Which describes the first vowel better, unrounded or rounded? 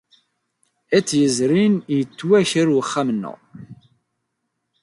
unrounded